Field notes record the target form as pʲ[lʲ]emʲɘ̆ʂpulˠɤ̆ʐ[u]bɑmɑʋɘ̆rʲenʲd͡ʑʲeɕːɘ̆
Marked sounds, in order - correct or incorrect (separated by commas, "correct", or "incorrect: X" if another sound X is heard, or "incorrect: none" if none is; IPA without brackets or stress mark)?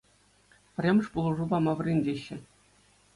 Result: incorrect: rʲ, correct